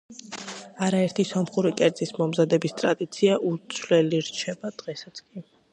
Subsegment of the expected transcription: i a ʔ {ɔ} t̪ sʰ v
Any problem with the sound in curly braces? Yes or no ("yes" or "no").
yes